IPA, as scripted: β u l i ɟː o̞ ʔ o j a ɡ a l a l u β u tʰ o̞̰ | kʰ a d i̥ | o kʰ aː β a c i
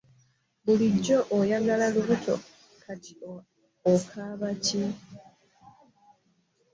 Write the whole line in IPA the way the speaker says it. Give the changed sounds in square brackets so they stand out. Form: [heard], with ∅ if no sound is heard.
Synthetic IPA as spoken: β u l i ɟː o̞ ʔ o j a ɡ a l a l u β u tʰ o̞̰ | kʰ a [t] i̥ | o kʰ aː β a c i